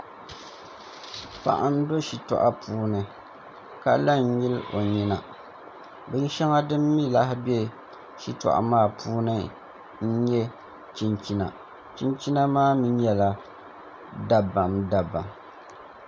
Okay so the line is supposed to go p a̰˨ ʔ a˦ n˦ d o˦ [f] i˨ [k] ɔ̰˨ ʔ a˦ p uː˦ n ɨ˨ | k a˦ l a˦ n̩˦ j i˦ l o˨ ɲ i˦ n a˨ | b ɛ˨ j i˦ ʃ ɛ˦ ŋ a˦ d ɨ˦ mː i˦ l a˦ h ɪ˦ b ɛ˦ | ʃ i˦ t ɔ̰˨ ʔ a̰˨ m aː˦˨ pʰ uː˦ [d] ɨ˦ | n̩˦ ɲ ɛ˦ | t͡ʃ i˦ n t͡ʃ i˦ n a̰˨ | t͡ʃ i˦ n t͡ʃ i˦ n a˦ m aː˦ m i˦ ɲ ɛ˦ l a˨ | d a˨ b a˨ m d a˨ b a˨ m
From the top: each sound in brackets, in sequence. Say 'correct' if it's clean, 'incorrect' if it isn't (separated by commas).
incorrect, incorrect, incorrect